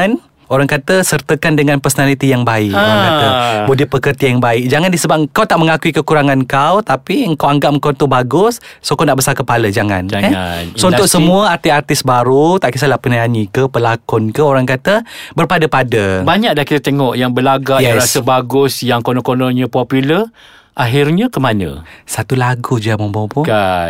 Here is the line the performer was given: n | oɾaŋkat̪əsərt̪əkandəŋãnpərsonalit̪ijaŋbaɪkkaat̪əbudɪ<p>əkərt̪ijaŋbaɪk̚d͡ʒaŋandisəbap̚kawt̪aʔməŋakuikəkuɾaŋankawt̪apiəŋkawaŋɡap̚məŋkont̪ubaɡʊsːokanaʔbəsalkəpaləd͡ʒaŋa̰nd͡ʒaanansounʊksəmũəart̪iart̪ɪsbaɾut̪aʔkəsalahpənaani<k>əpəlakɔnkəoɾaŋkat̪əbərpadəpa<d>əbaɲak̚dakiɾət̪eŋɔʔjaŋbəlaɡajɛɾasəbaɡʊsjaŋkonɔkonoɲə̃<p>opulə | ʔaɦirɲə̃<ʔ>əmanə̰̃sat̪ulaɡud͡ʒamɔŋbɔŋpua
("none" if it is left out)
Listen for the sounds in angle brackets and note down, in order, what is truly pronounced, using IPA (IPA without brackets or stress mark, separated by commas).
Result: p, k, d, p, k